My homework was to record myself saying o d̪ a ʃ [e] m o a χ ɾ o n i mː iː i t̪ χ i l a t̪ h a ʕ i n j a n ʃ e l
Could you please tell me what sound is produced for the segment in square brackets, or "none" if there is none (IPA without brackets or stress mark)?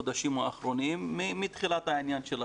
i